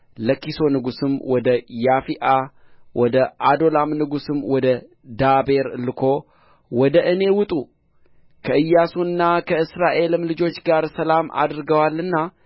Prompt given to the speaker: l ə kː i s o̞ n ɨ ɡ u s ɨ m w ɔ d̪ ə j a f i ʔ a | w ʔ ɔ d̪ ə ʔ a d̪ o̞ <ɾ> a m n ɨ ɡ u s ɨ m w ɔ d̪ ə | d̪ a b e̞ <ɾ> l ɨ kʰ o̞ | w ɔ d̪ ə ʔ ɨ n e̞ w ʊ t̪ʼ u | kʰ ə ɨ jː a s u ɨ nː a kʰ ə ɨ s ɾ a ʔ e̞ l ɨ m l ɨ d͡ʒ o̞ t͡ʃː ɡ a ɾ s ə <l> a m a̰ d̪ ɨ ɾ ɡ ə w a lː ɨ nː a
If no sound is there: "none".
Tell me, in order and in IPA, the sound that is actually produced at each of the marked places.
l, ɾ, l

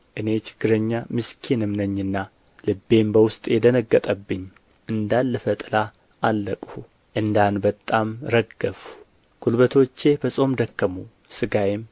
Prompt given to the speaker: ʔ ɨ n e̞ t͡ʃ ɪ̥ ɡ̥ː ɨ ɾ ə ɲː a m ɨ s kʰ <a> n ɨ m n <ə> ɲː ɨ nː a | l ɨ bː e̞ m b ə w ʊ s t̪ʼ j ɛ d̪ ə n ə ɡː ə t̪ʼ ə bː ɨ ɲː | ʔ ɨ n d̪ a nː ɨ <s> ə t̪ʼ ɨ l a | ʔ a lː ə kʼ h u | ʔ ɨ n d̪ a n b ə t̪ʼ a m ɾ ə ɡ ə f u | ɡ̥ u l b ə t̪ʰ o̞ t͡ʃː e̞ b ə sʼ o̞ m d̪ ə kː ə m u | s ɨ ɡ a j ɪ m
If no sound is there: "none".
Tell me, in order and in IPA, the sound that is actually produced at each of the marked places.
i, ə, f

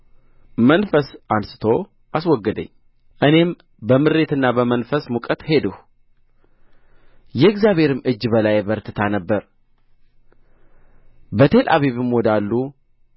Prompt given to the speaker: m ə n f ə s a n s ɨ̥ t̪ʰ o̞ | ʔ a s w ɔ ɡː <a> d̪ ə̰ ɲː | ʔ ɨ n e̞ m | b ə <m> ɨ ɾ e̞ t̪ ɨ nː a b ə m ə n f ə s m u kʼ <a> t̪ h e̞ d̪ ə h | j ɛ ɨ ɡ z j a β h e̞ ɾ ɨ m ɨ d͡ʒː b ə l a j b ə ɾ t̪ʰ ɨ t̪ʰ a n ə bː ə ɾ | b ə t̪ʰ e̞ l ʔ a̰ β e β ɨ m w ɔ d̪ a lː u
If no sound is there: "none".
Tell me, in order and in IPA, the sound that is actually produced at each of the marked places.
ə, m, ə

